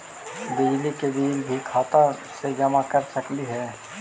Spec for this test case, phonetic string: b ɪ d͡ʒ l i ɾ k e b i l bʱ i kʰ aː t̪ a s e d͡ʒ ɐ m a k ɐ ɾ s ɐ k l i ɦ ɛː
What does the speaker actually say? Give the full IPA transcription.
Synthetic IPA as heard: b ɪ d͡ʒ l i k e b iː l bʱ i kʰ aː t̪ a s e d͡ʒ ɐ m a k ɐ ɾ s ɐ k l i ɦ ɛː

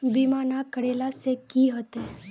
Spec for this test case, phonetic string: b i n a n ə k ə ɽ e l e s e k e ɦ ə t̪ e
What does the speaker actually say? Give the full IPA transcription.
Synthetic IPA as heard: b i m a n a k ə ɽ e l a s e k i ɦ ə t̪ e

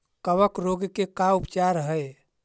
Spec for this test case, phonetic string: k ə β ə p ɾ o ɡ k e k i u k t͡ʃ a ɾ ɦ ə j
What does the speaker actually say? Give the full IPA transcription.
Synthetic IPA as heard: k ə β ə k ɾ o ɡ k e k a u p t͡ʃ a ɾ ɦ ə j

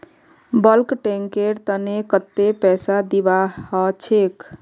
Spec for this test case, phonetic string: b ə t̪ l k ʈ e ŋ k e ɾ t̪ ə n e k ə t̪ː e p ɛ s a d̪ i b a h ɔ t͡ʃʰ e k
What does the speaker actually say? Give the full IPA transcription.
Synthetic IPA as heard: b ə l k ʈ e ŋ k e ɾ t̪ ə n e k ə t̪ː e p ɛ s a d̪ i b a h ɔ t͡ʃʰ e k

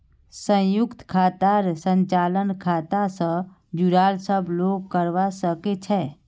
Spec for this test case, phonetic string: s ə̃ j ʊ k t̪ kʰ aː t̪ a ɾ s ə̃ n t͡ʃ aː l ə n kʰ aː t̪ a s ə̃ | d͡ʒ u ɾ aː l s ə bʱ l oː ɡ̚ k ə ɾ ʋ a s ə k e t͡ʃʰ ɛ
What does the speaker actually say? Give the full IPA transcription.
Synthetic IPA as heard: s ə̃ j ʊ k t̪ kʰ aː t̪ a ɾ s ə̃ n t͡ʃ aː l ə n kʰ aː t̪ a s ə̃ | d͡ʒ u ɾ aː l s ə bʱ l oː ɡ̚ k ə ɾ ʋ a s ə k e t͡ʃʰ ɛ

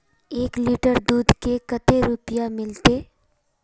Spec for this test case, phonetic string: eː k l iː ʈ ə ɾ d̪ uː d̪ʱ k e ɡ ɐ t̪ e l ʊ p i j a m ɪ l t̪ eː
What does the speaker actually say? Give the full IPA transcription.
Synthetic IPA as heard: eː k l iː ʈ ə ɾ d̪ uː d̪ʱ k e k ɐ t̪ e ɾ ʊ p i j a m ɪ l t̪ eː

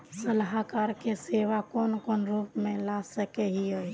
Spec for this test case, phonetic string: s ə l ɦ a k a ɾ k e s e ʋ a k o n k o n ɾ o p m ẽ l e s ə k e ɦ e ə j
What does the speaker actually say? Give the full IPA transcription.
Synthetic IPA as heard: s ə l ɦ a k a ɾ k e s e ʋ a k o n k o n ɾ u p m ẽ l a s ə k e ɦ i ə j

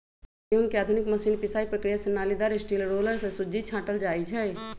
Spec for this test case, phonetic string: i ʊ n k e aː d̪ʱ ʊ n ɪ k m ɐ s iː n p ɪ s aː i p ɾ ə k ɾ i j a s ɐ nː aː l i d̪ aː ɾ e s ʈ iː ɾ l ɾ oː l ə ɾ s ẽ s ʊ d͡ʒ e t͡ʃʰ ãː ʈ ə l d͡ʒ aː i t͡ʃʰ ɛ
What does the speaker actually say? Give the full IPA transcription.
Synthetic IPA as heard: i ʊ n k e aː d̪ʱ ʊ n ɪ k m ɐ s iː n p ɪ s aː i p ɾ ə k ɾ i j a s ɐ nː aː l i d̪ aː ɾ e s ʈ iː l ɾ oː l ə ɾ s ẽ s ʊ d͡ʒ i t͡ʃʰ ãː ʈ ə l d͡ʒ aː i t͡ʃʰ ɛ

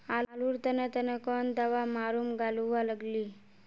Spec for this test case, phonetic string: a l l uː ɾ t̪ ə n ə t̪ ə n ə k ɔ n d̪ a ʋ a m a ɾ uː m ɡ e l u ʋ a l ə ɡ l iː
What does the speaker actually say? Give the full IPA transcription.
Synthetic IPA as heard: a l l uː ɾ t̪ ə n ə t̪ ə n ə k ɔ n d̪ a ʋ a m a ɾ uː m ɡ a l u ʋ a l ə ɡ l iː

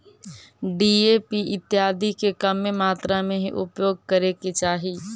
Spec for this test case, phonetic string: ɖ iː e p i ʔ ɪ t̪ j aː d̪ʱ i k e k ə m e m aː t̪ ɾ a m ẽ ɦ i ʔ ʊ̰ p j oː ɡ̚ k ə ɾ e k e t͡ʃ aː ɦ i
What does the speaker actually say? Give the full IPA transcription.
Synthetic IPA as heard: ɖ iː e p i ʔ ɪ t̪ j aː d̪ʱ i k e k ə m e m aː t̪ ɾ a m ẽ ɦ i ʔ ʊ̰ p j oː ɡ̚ k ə ɾ e k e t͡ʃ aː ɦ i

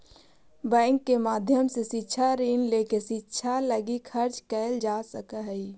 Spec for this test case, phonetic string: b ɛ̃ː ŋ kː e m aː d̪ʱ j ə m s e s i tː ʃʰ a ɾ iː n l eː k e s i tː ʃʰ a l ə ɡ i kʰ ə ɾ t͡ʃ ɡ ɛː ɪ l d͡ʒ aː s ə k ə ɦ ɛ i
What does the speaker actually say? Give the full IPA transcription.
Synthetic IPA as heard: b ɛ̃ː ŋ kː e m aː d̪ʱ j ə m s e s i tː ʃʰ a ɾ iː n l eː k e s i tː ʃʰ a l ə ɡ i kʰ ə ɾ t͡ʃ k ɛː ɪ l d͡ʒ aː s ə k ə ɦ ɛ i

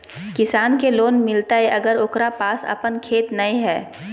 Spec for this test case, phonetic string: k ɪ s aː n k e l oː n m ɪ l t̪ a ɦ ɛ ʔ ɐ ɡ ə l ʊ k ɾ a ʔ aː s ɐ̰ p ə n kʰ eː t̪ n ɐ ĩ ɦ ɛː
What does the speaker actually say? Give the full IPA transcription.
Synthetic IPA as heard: k ɪ s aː n k e l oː n m ɪ l t̪ a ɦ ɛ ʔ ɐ ɡ ə ɾ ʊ k ɾ a p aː s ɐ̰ p ə n kʰ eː t̪ n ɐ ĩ ɦ ɛː

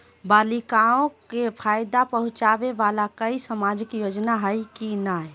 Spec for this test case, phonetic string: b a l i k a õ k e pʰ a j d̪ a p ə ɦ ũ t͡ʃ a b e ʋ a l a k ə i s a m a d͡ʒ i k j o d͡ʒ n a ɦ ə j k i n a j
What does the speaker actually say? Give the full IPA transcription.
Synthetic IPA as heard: b a l i k a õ k e pʰ a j d̪ a p ə ɦ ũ t͡ʃ a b e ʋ a l a k ə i s ə m a d͡ʒ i k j o d͡ʒ n a ɦ ə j k i n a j

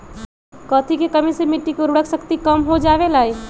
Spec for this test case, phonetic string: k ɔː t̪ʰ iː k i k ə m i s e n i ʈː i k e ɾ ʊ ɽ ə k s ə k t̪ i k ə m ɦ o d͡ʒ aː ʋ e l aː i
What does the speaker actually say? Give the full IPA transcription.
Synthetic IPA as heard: k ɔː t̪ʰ i k e k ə m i s e m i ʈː i k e ɾ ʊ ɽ ə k s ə k t̪ i k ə m ɦ o d͡ʒ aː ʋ e l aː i

